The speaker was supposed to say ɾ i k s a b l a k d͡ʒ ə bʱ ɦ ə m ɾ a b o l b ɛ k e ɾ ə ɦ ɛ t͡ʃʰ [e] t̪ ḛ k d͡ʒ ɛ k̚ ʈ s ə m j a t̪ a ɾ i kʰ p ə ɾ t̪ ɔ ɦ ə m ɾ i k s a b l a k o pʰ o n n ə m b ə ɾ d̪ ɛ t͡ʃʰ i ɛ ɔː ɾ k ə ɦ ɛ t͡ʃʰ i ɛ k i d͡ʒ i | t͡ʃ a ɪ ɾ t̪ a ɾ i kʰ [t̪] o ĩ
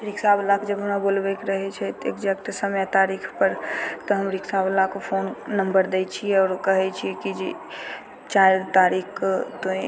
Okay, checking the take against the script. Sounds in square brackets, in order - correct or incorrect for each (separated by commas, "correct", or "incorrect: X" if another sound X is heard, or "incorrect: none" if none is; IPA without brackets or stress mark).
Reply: incorrect: ɛ, correct